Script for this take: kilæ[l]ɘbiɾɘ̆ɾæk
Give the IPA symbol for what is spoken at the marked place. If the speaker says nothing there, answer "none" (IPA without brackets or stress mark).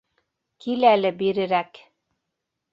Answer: l